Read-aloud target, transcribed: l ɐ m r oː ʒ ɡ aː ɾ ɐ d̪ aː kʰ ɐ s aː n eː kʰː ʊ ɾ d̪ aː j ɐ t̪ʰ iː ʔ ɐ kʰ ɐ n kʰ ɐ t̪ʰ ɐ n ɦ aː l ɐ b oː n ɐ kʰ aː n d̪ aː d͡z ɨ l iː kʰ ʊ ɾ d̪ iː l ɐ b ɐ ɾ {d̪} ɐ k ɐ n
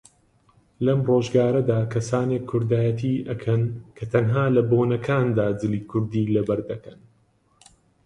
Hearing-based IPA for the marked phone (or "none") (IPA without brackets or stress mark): d̪